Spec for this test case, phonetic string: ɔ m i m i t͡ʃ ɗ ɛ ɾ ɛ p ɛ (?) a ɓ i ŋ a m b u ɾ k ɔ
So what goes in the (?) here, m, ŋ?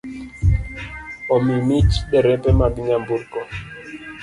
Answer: m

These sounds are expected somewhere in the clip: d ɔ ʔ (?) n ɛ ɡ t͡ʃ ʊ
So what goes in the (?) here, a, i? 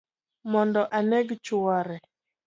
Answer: a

